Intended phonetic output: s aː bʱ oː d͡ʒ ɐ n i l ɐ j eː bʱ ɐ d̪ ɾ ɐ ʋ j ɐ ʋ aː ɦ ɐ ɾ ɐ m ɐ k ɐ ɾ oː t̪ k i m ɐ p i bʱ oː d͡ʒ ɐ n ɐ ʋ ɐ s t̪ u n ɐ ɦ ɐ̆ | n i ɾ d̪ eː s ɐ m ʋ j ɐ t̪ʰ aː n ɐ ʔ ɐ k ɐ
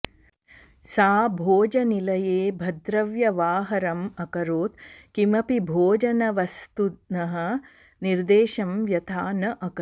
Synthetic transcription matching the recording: s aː bʱ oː d͡ʒ ɐ n i l ɐ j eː bʱ ɐ d̪ ɾ ɐ ʋ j ɐ ʋ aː ɦ ɐ ɾ ɐ m ɐ k ɐ ɾ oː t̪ k i m ɐ p i bʱ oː d͡ʒ ɐ n ɐ ʋ ɐ s t̪ u n ɐ ɦ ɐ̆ | n i ɾ d̪ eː ʃ ɐ m ʋ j ɐ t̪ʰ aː n ɐ ʔ ɐ k ɐ

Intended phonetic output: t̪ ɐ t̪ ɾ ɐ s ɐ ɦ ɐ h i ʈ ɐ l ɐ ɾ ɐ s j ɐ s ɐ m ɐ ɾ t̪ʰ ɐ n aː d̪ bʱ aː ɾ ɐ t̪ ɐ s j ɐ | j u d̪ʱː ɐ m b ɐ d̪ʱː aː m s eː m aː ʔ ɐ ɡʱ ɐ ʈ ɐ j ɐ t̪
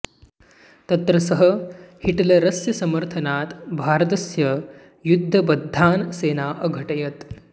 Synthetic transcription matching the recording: t̪ ɐ t̪ ɾ ɐ s ɐ ɦ ɐ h i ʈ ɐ l ɐ ɾ ɐ s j ɐ s ɐ m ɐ ɾ t̪ʰ ɐ n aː t̪ bʱ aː ɾ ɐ t̪ ɐ s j ɐ | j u d̪ʱː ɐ b ɐ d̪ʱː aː n s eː n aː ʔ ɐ ɡʱ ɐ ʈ ɐ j ɐ t̪

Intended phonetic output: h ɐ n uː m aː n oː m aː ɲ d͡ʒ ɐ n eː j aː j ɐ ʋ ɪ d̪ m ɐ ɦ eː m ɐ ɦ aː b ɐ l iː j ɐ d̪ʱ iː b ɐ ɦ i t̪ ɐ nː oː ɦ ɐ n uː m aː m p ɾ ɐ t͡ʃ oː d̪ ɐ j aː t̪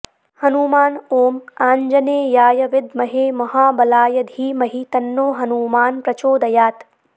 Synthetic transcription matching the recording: h ɐ n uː m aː n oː m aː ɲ d͡ʒ ɐ n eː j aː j ɐ ʋ ɪ d̪ m ɐ ɦ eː m ɐ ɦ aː b ɐ l aː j ɐ d̪ʱ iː m ɐ ɦ i t̪ ɐ nː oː ɦ ɐ n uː m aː n p ɾ ɐ t͡ʃ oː d̪ ɐ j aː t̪

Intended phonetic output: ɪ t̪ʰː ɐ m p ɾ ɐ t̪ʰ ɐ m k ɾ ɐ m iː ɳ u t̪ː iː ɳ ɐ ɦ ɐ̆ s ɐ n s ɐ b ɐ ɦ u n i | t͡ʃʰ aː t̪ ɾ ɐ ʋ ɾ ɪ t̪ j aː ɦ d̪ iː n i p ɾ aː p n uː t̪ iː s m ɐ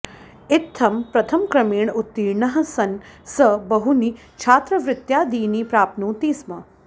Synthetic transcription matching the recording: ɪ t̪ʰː ɐ m p ɾ ɐ t̪ʰ ɐ m k ɾ ɐ m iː ɳ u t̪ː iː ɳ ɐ ɦ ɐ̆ s ɐ n s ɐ b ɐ ɦ u n i | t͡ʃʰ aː t̪ ɾ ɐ ʋ ɾ ɪ t̪ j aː d̪ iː n i p ɾ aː p n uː t̪ iː s m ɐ

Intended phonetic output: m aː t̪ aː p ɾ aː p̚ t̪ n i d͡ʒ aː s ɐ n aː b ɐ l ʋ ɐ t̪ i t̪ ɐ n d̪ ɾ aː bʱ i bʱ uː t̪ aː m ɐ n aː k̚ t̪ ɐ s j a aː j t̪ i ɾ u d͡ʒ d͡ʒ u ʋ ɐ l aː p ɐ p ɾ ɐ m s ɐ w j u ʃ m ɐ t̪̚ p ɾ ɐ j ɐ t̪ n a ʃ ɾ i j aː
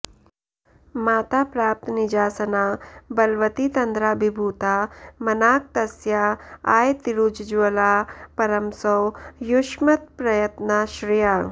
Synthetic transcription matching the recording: m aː t̪ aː p ɾ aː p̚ t̪ n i d͡ʒ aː s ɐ n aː b ɐ l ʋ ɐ t̪ i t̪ ɐ n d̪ ɾ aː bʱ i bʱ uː t̪ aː m ɐ n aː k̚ t̪ ɐ s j a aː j t̪ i ɾ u d͡ʒ d͡ʒ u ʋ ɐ l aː p ɐ ɾ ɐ m s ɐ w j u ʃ m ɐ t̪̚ p ɾ ɐ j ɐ t̪ n a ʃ ɾ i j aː

